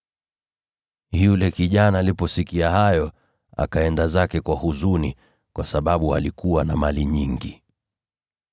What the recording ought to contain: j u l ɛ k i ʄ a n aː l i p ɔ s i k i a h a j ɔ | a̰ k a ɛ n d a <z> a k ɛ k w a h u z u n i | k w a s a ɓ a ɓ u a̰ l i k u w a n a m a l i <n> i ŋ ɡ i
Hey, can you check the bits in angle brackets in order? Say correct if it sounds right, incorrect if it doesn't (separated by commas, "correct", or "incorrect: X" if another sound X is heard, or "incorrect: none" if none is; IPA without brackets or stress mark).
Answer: correct, incorrect: ɲ